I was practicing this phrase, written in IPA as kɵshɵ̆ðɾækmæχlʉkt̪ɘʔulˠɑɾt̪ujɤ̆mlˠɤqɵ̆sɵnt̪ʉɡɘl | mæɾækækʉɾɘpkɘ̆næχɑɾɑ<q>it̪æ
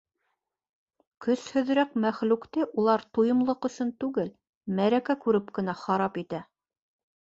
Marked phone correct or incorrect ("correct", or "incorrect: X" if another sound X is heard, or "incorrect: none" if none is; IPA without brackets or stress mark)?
incorrect: p